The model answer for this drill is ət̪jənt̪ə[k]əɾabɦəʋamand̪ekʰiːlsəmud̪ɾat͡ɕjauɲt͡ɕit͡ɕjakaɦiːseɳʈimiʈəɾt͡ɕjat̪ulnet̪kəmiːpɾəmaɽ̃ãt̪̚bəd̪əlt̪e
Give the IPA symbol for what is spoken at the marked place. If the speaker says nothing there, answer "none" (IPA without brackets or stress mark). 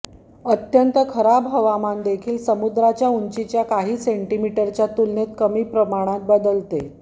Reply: kʰ